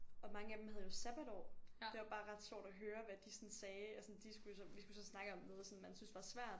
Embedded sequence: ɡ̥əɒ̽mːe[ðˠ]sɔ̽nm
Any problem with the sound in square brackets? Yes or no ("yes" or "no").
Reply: no